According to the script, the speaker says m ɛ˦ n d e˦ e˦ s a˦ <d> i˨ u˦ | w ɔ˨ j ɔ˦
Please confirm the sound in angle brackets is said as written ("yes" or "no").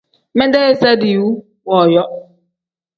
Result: yes